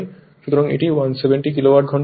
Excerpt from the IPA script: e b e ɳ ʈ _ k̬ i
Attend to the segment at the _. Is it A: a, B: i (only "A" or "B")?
B